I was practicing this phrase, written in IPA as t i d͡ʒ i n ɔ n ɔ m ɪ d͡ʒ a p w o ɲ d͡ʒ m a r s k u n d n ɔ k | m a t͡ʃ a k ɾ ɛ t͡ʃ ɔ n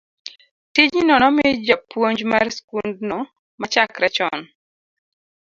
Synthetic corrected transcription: t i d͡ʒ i n ɔ n ɔ m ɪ d͡ʒ a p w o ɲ d͡ʒ m a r s k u n d n ɔ | m a t͡ʃ a k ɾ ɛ t͡ʃ ɔ n